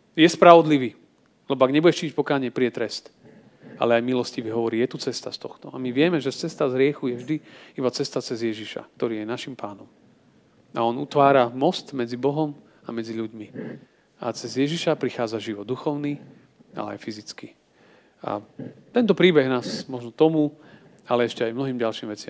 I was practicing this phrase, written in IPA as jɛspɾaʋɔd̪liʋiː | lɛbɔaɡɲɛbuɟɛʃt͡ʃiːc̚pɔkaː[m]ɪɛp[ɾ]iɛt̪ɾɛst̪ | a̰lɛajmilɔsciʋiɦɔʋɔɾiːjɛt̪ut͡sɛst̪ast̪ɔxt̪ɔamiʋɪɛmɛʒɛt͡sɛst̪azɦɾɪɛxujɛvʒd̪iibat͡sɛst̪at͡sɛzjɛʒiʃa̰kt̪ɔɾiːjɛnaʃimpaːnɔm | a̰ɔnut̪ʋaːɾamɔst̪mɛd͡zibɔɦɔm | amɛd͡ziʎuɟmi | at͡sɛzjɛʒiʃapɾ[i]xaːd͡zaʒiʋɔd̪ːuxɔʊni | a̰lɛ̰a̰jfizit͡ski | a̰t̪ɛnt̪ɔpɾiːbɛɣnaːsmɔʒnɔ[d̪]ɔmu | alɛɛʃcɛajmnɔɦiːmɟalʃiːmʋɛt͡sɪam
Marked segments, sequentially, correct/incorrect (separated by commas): incorrect, correct, correct, incorrect